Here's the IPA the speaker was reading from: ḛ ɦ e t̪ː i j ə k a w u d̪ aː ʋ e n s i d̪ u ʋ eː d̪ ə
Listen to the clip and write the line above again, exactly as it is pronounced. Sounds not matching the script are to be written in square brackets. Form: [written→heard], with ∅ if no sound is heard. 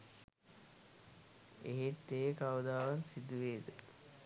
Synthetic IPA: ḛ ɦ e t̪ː [i→e] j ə k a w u d̪ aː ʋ [e→a] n s i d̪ u ʋ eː d̪ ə